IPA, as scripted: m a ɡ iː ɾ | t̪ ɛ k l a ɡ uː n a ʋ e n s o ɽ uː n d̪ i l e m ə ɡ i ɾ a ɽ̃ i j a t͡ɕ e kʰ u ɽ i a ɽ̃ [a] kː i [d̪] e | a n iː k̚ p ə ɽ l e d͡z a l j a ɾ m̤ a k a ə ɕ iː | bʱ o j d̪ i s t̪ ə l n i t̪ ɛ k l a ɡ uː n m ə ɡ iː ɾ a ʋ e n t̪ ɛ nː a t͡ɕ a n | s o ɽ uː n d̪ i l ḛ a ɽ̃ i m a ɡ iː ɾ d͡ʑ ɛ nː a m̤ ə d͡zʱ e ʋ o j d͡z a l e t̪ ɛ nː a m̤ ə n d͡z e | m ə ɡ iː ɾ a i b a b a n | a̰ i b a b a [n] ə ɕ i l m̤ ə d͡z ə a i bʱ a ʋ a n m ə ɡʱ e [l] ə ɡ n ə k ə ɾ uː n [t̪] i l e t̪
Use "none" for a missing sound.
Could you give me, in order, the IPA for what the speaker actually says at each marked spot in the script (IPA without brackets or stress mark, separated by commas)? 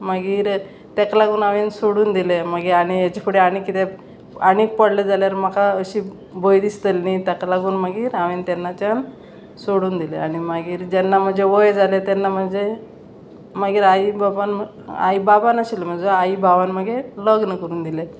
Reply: i, t̪, n, l, d̪